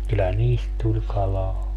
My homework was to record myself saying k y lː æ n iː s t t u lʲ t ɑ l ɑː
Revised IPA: k y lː æ n iː s t t u lʲ k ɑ l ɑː